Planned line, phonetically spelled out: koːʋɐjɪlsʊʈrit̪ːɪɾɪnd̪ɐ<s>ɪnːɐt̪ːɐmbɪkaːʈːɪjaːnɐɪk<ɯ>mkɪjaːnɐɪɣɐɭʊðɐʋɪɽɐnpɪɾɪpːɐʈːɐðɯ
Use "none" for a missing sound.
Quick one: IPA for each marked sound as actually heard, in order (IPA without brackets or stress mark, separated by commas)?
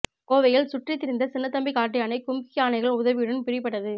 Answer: s, ʊ